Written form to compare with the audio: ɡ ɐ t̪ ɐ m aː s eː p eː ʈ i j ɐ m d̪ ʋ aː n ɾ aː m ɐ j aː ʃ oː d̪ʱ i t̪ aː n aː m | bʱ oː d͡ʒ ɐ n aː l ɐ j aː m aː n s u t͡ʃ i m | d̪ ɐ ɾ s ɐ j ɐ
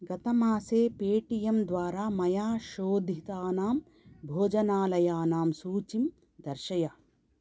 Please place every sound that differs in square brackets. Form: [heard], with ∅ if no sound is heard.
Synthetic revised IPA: ɡ ɐ t̪ ɐ m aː s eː p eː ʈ i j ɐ m d̪ ʋ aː [∅] ɾ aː m ɐ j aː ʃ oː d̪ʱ i t̪ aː n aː m | bʱ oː d͡ʒ ɐ n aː l ɐ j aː [n] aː [m] s [uː] t͡ʃ i m | d̪ ɐ ɾ [ʃ] ɐ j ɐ